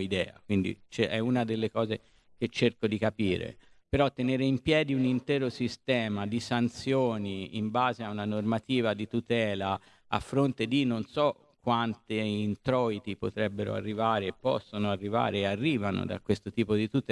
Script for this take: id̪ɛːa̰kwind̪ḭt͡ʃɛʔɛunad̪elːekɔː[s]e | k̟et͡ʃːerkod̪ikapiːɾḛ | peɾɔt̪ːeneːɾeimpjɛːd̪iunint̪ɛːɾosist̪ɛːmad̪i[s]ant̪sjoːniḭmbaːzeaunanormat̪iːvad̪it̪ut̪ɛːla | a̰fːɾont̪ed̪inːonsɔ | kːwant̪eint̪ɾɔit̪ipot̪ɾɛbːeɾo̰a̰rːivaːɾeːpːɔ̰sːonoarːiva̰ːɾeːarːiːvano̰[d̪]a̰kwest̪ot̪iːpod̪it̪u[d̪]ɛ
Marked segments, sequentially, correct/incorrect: incorrect, correct, correct, incorrect

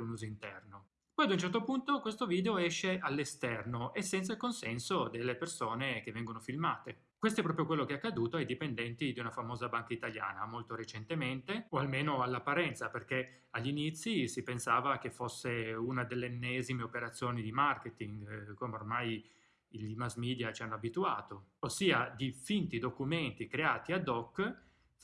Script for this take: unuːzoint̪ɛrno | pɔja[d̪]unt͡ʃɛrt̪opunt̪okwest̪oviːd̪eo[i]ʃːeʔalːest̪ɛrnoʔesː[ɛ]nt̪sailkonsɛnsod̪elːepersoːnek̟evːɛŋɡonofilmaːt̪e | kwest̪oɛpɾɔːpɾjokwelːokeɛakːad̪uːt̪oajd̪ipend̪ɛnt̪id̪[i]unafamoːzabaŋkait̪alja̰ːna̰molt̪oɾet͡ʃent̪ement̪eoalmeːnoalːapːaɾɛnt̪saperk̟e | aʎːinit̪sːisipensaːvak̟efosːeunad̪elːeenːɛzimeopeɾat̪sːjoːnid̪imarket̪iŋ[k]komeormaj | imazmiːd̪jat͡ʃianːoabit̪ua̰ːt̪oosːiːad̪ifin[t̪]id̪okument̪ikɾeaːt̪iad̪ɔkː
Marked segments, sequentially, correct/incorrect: correct, incorrect, correct, correct, incorrect, correct

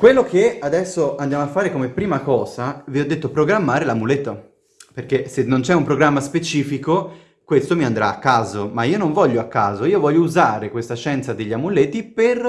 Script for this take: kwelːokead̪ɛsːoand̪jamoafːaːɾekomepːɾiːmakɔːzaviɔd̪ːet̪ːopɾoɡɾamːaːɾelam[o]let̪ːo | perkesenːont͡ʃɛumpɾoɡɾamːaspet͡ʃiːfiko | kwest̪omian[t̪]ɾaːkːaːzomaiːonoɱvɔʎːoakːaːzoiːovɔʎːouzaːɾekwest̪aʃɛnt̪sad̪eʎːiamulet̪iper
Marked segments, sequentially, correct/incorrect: incorrect, incorrect

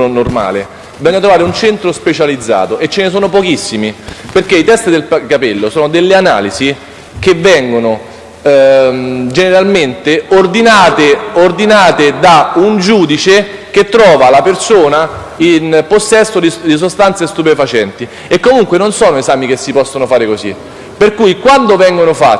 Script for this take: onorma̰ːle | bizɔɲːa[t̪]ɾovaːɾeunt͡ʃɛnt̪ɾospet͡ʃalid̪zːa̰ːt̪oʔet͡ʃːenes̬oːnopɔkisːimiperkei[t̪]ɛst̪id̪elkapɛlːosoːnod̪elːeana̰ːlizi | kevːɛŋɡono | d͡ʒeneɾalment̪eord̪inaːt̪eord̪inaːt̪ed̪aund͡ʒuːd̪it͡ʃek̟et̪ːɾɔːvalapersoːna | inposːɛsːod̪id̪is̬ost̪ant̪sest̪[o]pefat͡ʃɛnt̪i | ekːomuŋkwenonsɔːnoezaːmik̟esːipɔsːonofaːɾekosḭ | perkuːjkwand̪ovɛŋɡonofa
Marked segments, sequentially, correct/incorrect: correct, correct, incorrect

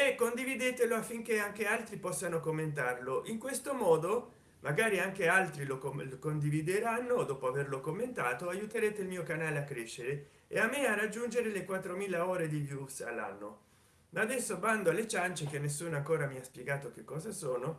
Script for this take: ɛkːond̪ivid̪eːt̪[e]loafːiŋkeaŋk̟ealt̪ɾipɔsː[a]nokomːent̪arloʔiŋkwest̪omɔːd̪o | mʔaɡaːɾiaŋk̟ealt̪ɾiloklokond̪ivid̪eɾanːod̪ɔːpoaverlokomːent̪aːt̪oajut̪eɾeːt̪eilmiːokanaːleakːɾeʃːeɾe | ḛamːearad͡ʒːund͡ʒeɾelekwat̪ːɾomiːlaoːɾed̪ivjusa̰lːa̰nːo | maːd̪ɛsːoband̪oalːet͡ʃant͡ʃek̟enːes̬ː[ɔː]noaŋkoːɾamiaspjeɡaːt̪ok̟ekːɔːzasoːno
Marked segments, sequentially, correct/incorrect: correct, correct, incorrect

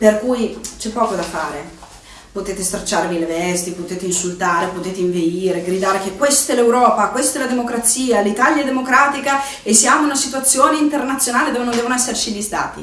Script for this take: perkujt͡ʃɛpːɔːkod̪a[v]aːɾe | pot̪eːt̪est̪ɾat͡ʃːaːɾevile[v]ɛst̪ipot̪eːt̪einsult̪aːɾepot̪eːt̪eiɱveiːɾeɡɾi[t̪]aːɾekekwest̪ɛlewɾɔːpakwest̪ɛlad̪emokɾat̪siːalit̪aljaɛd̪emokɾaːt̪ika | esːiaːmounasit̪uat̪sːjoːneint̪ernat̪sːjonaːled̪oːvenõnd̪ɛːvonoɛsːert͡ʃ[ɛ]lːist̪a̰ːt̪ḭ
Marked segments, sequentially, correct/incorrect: incorrect, correct, incorrect, incorrect

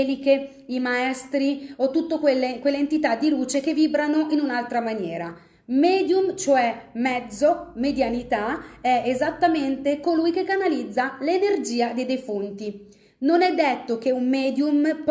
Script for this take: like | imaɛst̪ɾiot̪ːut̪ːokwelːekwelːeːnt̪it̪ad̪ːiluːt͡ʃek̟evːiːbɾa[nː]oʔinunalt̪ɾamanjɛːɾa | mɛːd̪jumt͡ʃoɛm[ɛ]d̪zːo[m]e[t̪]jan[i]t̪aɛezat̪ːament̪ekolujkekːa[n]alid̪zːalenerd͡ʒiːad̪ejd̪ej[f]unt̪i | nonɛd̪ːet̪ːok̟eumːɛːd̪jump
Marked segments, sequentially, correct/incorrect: incorrect, correct, correct, incorrect, correct, correct, correct

